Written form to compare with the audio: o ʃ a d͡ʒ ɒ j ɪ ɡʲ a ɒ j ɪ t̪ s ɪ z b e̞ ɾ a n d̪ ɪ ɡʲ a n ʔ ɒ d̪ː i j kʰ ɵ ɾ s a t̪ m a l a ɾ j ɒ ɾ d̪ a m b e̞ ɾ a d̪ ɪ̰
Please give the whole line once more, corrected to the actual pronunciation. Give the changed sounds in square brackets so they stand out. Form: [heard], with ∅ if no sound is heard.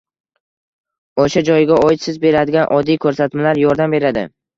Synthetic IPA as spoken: o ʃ a d͡ʒ ɒ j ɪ ɡʲ a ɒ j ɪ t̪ s ɪ z b e̞ ɾ a [∅] d̪ ɪ ɡʲ a n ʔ ɒ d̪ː i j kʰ ɵ ɾ s a t̪ m a l a ɾ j ɒ ɾ d̪ a m b e̞ ɾ a d̪ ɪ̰

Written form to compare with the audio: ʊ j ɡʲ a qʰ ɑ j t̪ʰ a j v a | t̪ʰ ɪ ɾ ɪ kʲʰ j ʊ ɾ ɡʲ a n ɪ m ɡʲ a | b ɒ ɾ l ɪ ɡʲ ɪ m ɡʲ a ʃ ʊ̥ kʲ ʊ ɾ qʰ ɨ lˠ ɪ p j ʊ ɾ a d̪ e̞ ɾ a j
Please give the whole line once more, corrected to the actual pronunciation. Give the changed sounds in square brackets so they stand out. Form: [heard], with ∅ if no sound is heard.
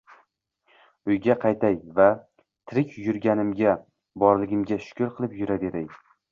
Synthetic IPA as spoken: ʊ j ɡʲ a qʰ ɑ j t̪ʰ a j v a | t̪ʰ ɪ ɾ ɪ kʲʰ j ʊ ɾ ɡʲ a n ɪ m ɡʲ a | b ɒ ɾ l ɪ ɡʲ ɪ m ɡʲ a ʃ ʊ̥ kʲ ʊ ɾ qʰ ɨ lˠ ɪ p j ʊ ɾ a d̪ e̞ ɾ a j

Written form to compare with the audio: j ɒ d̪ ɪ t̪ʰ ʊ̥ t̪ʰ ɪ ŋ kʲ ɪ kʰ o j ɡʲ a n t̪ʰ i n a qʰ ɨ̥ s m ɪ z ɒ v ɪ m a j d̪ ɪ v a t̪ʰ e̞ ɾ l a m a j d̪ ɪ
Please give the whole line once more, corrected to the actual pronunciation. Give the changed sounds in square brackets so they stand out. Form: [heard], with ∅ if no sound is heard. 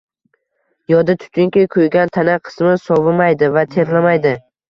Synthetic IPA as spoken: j ɒ d̪ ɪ t̪ʰ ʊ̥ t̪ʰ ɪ ŋ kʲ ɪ kʰ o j ɡʲ a n t̪ʰ [a] n a qʰ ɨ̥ s m ɪ [s] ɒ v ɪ m a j d̪ ɪ v a t̪ʰ e̞ ɾ l a m a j d̪ ɪ

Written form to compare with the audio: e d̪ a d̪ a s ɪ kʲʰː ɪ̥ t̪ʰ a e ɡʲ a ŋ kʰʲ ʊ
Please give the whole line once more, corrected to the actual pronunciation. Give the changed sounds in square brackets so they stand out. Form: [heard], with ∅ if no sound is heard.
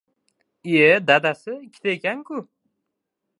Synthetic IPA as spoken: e d̪ a d̪ a s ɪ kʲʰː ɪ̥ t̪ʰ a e [kʲ] a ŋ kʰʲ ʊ

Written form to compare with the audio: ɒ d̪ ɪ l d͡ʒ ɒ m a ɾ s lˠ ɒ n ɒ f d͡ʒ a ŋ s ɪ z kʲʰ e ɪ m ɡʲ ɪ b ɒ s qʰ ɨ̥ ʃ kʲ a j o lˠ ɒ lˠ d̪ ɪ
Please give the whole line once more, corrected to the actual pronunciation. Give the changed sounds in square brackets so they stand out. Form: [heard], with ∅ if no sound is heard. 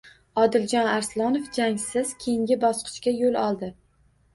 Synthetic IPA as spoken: ɒ d̪ ɪ l d͡ʒ ɒ [n] a ɾ s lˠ ɒ n [o] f d͡ʒ a ŋ s ɪ z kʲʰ e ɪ [ŋ] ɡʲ ɪ b ɒ s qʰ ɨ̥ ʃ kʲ a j o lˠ ɒ lˠ d̪ ɪ

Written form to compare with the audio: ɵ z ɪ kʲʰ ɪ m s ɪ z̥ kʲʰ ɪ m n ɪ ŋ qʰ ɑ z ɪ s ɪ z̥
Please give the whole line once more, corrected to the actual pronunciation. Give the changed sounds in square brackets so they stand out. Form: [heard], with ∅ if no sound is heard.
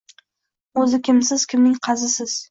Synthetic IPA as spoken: ɵ z ɪ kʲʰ ɪ m s ɪ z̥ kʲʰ ɪ m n ɪ ŋ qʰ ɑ z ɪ s ɪ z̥

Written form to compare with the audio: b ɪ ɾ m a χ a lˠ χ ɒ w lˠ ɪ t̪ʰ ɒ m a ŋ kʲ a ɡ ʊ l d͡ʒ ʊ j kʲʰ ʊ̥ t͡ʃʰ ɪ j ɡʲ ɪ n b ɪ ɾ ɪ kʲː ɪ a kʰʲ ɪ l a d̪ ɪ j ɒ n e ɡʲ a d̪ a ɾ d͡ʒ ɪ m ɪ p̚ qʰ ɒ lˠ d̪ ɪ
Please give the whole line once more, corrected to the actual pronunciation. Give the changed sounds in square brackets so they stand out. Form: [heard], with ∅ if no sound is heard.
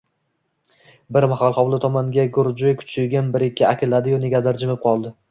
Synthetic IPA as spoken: b ɪ ɾ m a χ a lˠ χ ɒ w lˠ ɪ t̪ʰ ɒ m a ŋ [ɡʲ] a ɡ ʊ [ɾ] d͡ʒ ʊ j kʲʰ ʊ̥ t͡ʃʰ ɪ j ɡʲ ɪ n b ɪ ɾ ɪ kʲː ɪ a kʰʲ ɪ l a d̪ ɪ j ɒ n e ɡʲ a d̪ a ɾ d͡ʒ ɪ m ɪ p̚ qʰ ɒ lˠ d̪ ɪ

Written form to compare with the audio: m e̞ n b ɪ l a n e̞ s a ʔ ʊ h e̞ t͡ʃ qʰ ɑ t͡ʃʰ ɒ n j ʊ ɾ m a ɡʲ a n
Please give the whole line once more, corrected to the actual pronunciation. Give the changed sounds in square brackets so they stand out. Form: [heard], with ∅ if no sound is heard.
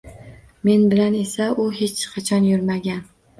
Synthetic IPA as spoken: m e̞ n b ɪ l a n e̞ s a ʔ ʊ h e̞ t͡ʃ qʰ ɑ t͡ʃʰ ɒ n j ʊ ɾ m a ɡʲ a n

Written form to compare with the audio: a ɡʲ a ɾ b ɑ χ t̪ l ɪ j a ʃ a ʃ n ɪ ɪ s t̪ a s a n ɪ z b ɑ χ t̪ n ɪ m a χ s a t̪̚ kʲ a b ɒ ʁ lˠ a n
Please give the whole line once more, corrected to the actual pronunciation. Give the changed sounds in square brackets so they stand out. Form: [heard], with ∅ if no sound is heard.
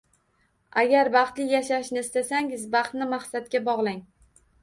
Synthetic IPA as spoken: a ɡʲ a ɾ b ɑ χ t̪ l ɪ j a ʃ a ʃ n ɪ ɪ s t̪ a s a [ŋ] ɪ z b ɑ χ t̪ n ɪ m a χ s a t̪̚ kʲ a b ɒ ʁ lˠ a [ŋ]

